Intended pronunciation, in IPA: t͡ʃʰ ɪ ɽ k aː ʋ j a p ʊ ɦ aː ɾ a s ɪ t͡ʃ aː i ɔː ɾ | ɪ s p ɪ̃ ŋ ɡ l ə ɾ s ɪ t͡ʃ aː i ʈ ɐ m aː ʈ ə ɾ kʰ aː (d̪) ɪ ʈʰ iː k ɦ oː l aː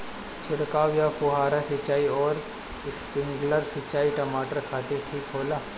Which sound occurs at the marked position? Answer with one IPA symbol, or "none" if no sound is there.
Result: t̪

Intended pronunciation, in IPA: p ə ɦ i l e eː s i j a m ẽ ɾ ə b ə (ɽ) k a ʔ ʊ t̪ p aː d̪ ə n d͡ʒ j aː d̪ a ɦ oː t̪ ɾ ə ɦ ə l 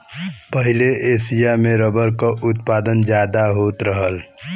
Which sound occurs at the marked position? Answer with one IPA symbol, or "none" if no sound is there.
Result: ɾ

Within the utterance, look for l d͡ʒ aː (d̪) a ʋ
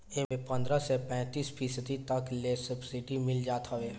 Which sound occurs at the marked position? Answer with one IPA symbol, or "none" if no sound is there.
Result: t̪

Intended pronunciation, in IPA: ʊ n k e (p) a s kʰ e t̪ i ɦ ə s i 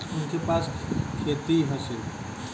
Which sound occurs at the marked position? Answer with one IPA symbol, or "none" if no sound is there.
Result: p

